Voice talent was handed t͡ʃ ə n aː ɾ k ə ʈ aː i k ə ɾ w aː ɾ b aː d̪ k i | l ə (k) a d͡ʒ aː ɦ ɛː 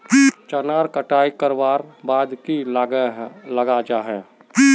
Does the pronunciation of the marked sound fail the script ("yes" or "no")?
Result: yes